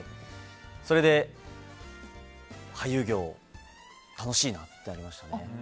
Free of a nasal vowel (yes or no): yes